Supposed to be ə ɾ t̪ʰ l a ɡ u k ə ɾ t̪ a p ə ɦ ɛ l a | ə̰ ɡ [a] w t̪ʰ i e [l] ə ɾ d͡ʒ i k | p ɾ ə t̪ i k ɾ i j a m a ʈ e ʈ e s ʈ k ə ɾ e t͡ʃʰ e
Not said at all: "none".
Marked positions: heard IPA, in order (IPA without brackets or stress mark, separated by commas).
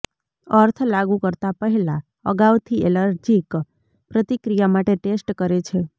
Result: a, l